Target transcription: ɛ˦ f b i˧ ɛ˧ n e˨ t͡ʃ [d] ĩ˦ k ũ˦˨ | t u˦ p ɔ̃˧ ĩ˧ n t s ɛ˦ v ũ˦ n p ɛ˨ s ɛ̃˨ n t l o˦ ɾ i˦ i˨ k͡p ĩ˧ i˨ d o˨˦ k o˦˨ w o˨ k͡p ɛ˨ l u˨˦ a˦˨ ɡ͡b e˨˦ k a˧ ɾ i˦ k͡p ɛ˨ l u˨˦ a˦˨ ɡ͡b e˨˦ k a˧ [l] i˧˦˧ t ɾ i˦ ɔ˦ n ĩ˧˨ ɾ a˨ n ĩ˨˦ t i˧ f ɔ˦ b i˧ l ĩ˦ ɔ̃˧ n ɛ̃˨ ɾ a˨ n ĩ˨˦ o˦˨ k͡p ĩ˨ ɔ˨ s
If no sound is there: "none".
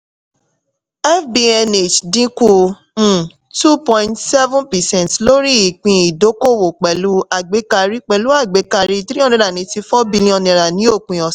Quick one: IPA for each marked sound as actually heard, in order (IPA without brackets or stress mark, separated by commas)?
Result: d, ɾ